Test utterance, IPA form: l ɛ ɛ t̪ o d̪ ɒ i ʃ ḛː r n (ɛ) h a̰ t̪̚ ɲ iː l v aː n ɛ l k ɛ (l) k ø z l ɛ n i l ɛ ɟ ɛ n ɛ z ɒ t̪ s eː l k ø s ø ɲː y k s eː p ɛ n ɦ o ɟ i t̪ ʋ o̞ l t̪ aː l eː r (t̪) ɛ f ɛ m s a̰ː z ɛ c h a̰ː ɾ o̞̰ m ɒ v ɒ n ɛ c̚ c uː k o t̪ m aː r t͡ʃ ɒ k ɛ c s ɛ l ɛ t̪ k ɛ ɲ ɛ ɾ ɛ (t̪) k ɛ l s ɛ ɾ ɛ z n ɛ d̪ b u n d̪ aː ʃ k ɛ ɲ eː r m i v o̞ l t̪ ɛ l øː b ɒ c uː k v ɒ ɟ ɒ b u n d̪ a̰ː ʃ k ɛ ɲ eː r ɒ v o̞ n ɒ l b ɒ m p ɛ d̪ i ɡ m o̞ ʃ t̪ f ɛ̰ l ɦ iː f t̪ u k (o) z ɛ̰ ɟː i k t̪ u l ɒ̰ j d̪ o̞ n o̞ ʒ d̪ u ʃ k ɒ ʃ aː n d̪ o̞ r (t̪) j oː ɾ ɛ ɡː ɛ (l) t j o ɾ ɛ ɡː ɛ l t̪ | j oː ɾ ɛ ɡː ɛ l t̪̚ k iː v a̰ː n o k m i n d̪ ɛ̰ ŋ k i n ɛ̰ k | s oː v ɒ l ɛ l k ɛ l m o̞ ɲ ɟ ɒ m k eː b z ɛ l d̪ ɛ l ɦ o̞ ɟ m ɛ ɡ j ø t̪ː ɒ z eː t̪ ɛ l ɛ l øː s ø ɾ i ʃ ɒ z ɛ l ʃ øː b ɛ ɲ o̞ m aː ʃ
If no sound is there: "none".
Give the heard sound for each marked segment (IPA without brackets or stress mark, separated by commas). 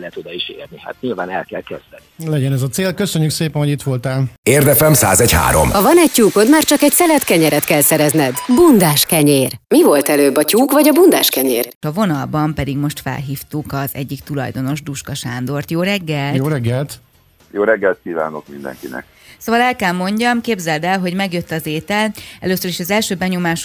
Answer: i, l, d̪, t̪, ɒ, t̪, l